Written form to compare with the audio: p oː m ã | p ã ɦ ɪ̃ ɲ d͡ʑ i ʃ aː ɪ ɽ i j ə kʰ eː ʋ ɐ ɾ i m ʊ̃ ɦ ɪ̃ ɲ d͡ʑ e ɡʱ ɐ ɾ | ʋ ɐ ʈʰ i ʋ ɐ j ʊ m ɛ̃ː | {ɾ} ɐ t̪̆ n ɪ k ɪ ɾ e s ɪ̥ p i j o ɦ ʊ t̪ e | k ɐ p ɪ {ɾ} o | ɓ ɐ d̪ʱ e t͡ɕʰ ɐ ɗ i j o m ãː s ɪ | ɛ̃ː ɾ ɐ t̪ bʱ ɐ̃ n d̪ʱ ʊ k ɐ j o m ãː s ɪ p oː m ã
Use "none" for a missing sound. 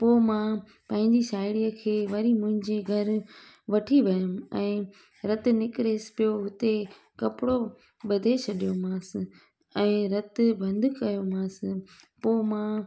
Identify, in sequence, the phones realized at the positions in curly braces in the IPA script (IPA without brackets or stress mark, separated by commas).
ɾ, ɽ